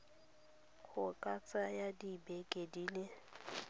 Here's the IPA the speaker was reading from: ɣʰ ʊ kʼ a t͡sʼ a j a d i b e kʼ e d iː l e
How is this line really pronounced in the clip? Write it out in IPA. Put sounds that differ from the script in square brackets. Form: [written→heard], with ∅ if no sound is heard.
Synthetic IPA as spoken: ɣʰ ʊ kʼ a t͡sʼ a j a d i b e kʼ e d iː l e